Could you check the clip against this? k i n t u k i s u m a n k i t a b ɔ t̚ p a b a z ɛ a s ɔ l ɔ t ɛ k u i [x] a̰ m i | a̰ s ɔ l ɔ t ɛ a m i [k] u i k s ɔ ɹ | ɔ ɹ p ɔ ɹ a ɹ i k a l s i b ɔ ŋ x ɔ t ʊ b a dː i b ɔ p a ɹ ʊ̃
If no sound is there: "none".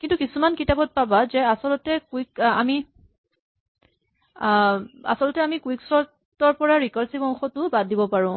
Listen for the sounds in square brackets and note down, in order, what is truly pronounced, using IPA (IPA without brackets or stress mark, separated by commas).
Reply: k, k